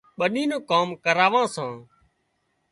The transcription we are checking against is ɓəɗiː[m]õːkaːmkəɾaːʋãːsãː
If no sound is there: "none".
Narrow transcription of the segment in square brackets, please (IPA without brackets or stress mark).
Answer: n